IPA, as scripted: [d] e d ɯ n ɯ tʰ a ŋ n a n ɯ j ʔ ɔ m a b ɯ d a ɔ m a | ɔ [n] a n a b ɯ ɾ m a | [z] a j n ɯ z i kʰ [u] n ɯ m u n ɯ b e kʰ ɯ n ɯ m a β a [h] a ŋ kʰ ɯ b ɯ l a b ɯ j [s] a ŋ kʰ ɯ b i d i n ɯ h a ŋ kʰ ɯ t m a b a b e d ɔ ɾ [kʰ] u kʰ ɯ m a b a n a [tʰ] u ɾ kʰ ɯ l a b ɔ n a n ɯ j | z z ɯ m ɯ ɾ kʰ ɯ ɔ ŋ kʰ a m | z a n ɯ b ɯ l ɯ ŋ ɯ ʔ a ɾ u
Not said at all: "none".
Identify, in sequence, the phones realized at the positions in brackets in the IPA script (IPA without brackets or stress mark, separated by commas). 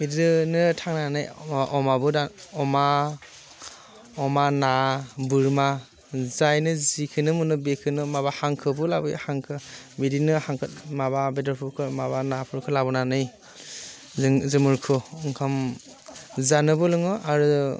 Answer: b, m, z, ɯ, h, h, pʰ, pʰ